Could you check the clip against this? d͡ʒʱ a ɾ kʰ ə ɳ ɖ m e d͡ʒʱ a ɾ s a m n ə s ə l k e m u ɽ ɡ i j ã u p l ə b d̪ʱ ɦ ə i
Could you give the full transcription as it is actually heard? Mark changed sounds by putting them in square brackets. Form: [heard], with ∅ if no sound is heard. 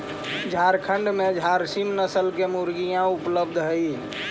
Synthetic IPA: d͡ʒʱ a ɾ kʰ ə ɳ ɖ m e d͡ʒʱ a ɾ s [i] m n ə s ə l k e m u [ɾ] ɡ i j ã u p l ə b d̪ʱ ɦ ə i